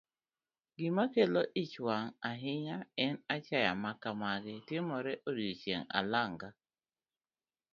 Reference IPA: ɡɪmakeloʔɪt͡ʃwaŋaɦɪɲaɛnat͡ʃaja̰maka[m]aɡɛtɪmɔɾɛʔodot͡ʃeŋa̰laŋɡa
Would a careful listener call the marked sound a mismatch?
no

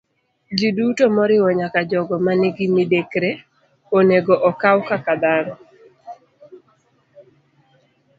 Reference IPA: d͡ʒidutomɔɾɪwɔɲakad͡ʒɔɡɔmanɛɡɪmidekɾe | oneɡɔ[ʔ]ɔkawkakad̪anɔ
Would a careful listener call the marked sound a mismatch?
no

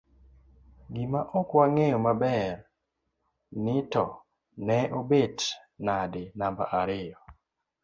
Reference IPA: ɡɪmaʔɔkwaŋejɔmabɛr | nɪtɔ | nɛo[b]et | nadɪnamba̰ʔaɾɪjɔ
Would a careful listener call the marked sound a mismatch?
no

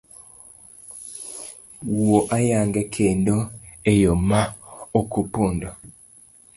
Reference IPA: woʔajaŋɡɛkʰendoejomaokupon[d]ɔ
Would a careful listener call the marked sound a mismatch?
no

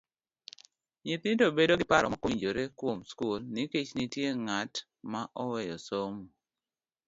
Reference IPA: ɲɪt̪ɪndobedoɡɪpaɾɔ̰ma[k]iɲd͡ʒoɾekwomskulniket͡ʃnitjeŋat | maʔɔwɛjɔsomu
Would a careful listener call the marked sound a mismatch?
no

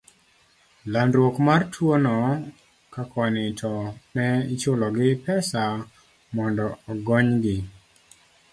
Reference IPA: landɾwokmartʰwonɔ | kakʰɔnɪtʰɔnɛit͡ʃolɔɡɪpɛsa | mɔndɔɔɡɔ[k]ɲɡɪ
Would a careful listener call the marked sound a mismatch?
yes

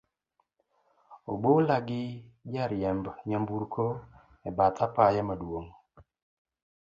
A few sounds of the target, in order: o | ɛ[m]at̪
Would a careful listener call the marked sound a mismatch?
yes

